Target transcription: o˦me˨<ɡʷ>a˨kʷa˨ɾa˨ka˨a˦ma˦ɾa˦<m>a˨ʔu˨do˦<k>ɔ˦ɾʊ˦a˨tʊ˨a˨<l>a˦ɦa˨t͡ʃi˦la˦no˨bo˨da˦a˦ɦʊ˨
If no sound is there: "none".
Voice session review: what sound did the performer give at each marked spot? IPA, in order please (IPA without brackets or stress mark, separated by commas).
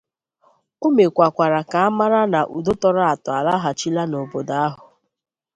kʷ, n, t, l